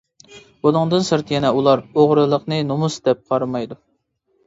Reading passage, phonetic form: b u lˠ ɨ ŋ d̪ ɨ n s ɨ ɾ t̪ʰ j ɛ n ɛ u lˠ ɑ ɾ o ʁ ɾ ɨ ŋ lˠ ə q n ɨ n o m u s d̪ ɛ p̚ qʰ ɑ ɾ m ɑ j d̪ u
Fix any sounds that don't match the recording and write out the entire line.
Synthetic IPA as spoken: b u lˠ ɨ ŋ d̪ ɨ n s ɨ ɾ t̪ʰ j ɛ n ɛ u lˠ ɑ ɾ o ʁ ɾ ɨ lˠ ə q n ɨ n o m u s d̪ ɛ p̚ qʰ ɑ ɾ m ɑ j d̪ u